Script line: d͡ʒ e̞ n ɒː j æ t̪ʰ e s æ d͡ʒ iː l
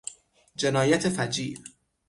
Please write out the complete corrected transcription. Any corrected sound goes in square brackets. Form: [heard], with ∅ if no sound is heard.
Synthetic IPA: d͡ʒ e̞ n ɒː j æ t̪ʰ e [f] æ d͡ʒ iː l